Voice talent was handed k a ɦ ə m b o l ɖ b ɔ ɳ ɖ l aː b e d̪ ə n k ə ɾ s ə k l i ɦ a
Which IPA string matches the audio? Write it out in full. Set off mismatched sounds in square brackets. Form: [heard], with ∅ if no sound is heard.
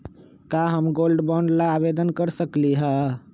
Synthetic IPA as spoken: k a ɦ ə m [ɡ] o l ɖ b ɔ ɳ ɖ l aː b e d̪ ə n k ə ɾ s ə k l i ɦ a